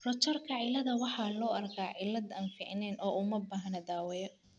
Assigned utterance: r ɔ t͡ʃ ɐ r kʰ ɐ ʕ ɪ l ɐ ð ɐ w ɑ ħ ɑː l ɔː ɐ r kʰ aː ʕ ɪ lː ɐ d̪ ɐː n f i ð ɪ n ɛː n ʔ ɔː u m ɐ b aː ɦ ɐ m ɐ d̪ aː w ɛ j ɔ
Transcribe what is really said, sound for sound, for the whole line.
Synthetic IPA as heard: r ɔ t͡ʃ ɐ r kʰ ɐ ʕ ɪ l ɐ ð ɐ w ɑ ħ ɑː l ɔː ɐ r kʰ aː ʕ ɪ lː ɐ d̪ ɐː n f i ʕ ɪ n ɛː n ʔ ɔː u m ɐ b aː ɦ ɐ n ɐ d̪ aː w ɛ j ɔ